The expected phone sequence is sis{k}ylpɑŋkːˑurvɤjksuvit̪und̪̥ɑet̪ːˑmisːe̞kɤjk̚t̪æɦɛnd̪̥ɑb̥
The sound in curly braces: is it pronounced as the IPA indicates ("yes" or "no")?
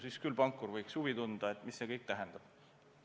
yes